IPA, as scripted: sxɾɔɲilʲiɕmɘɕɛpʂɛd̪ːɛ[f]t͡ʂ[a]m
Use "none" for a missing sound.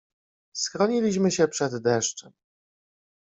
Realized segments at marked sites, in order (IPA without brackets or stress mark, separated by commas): ʂ, ɛ